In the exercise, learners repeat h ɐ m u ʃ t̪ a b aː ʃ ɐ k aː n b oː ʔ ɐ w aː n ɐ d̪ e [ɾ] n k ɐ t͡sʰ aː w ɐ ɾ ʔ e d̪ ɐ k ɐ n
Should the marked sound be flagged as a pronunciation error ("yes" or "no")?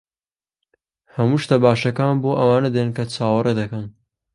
yes